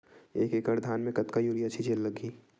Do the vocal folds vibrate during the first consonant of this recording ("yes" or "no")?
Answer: no